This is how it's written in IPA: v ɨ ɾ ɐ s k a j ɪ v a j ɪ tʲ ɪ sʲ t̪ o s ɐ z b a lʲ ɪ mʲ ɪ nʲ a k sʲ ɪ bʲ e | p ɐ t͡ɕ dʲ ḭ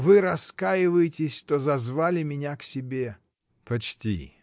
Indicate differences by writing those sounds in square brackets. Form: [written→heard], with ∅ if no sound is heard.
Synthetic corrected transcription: v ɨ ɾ ɐ s k a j ɪ v [a→ə] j ɪ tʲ ɪ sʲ t̪ o [s→z] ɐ z [b→v] a lʲ ɪ mʲ ɪ nʲ a k sʲ ɪ bʲ e | p ɐ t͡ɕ [dʲ→tʲ] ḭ